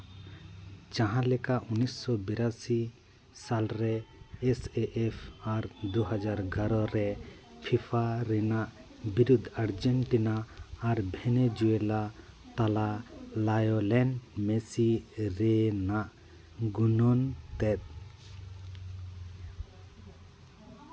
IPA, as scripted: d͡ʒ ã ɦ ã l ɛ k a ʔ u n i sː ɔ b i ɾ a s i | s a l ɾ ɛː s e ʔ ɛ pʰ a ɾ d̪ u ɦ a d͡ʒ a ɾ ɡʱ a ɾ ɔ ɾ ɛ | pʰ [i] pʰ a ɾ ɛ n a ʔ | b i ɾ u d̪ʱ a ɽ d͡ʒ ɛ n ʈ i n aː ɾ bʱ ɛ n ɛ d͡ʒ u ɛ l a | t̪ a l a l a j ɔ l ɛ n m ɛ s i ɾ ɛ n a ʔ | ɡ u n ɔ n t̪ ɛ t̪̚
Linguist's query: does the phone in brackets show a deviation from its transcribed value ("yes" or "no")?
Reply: no